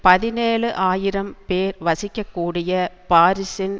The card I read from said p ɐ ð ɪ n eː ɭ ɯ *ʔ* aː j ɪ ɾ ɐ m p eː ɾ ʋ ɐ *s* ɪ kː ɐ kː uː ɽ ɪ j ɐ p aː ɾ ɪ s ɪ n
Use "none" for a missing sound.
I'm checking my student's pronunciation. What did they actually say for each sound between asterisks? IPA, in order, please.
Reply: ʔ, s

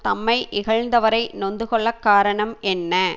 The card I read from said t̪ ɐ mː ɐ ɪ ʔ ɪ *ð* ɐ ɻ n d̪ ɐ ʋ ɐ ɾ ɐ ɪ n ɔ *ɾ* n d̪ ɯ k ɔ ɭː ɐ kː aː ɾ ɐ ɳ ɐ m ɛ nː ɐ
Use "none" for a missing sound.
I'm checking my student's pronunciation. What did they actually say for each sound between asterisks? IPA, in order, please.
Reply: ɣ, none

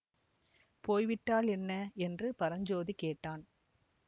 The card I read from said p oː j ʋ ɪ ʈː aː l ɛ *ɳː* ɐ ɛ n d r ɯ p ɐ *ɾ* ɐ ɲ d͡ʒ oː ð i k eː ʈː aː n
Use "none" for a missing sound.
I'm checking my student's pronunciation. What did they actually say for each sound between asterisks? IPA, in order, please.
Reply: nː, ɾ

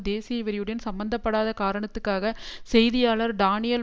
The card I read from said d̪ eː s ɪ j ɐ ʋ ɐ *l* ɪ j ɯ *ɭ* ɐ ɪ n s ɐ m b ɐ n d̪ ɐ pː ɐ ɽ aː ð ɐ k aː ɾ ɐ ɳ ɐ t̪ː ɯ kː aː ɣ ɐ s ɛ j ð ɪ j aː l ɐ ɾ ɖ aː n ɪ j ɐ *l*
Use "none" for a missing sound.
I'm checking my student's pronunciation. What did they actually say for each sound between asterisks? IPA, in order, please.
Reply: ɾ, ɽ, l

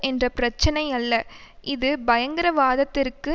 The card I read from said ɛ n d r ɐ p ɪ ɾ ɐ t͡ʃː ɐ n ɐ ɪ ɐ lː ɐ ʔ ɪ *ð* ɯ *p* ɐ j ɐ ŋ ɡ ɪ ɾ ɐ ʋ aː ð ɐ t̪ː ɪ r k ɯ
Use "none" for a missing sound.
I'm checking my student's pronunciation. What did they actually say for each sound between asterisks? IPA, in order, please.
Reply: ð, b

